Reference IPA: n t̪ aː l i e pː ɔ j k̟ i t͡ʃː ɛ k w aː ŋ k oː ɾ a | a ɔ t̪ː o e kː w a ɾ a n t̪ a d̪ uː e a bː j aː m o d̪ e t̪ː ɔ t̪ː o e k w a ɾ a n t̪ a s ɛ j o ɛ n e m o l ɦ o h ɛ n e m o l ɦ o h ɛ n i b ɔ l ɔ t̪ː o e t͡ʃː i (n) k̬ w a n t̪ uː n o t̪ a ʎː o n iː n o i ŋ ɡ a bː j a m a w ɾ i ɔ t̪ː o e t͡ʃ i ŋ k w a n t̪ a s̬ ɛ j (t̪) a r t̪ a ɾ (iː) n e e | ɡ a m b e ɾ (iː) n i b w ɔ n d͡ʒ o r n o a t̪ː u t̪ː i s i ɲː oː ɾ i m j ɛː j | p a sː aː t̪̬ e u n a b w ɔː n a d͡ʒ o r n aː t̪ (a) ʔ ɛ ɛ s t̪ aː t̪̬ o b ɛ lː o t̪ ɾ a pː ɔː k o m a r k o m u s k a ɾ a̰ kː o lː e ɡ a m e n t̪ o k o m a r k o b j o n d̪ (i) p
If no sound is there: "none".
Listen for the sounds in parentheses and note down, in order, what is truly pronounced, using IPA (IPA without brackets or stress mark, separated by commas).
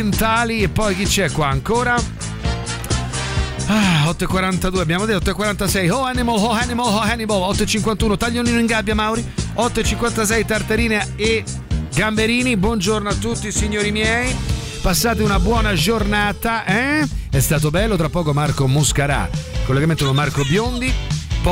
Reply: ŋ, t̪, iː, iː, a, i